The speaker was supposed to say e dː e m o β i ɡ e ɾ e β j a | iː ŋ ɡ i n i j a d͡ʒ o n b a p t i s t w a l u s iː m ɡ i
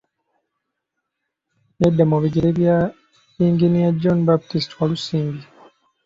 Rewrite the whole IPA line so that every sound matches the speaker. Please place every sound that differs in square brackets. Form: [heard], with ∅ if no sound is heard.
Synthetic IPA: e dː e m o β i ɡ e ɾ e β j a | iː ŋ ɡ i n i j a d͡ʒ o n b a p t i s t w a l u s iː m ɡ i